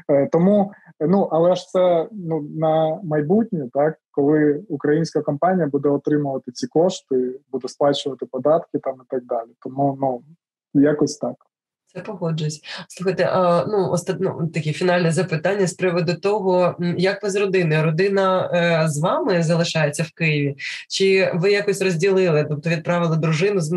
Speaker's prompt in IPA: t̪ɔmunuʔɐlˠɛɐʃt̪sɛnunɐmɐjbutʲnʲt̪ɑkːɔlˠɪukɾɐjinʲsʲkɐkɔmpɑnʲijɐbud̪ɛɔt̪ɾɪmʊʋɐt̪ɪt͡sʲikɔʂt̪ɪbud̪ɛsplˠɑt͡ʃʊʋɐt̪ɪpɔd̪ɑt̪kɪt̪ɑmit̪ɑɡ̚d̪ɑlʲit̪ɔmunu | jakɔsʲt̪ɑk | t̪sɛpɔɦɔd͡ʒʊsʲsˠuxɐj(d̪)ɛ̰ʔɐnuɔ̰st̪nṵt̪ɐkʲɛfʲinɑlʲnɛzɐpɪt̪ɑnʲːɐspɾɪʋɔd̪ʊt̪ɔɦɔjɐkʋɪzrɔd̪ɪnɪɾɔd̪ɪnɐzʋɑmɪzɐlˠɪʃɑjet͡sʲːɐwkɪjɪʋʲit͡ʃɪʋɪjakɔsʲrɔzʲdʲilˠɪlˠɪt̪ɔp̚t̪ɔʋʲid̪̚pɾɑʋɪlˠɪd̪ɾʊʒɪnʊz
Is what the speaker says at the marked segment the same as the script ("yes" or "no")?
no